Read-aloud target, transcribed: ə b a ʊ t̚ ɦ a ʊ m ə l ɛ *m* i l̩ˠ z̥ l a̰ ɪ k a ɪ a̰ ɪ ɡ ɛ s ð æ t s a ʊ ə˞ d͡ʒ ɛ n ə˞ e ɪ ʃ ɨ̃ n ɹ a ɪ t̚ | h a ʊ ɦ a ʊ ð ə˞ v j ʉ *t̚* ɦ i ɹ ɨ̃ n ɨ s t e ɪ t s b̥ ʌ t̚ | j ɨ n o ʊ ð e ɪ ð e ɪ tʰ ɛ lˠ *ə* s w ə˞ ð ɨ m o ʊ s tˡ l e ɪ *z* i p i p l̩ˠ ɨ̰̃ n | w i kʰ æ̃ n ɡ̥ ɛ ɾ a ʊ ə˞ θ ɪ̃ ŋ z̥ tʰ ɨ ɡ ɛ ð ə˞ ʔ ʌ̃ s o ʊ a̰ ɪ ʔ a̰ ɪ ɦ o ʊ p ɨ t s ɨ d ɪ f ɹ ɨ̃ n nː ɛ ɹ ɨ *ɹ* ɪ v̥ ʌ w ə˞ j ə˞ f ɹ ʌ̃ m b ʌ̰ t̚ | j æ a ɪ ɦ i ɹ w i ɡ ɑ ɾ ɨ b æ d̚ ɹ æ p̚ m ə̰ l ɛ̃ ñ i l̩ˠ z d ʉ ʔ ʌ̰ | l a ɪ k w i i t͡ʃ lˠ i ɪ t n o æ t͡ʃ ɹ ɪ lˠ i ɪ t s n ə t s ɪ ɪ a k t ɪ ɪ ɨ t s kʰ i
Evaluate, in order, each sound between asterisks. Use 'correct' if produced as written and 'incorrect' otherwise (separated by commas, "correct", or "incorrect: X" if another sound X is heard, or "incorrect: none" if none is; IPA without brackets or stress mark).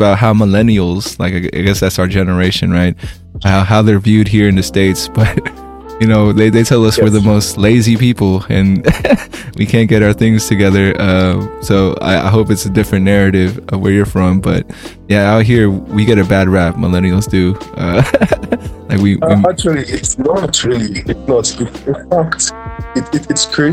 incorrect: n, incorrect: d̚, incorrect: ʌ, correct, incorrect: ɾ